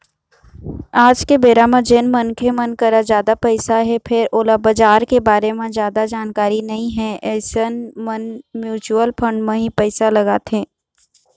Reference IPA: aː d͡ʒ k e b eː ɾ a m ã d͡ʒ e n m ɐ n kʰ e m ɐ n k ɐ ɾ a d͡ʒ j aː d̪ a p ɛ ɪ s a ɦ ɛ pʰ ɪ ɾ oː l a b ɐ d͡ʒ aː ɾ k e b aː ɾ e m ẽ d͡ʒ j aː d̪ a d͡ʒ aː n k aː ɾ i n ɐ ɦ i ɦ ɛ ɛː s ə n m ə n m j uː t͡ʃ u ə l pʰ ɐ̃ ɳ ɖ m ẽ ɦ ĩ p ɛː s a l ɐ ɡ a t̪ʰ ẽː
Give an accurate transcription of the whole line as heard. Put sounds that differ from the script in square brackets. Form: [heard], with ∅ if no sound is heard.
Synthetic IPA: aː d͡ʒ k e b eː ɾ a m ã d͡ʒ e n m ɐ n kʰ e m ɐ n k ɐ ɾ a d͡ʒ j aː d̪ a p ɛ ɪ s a ɦ ɛ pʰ ɪ ɾ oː l a b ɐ d͡ʒ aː ɾ k e b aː ɾ e m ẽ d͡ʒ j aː d̪ a d͡ʒ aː n k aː ɾ i n ɐ ɦ [ĩ] ɦ ɛ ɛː s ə n m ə n m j uː t͡ʃ u ə l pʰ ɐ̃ ɳ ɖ m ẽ ɦ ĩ p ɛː s a l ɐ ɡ a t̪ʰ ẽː